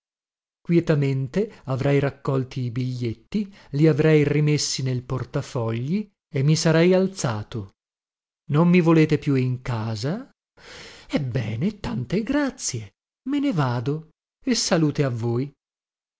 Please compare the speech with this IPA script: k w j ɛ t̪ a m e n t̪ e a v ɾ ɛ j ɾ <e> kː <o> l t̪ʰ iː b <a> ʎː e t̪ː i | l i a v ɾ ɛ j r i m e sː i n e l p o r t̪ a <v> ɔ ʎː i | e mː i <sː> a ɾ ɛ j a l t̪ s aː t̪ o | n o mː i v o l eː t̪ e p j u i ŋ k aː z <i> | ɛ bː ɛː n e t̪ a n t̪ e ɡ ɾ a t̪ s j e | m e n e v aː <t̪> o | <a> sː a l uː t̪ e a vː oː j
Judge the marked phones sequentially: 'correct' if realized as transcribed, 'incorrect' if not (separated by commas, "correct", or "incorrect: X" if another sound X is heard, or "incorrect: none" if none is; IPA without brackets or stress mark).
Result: incorrect: a, incorrect: ɔ, incorrect: i, incorrect: f, incorrect: s, incorrect: a, incorrect: d̪, incorrect: e